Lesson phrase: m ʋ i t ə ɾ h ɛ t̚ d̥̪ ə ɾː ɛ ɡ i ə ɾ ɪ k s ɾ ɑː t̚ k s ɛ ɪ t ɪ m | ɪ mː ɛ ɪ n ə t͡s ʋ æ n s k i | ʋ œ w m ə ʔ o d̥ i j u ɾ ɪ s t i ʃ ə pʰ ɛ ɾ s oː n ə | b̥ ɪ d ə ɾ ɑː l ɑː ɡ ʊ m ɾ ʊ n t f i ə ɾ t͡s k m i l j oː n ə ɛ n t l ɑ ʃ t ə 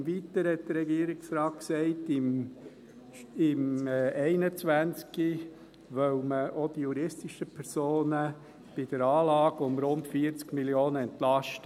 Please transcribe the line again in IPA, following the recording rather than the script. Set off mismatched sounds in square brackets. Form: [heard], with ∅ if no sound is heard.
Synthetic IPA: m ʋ i t ə ɾ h ɛ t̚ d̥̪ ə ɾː ɛ ɡ i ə ɾ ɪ k s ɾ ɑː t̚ k s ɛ ɪ t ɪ m | ɪ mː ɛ ɪ n ə t͡s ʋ æ n [t͡s] k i | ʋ œ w m ə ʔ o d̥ i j u ɾ ɪ s t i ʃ ə pʰ ɛ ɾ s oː n ə | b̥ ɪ d ə ɾ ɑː l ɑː ɡ ʊ m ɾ ʊ n t f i ə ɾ t͡s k m i l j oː n ə ɛ n t l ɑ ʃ t ə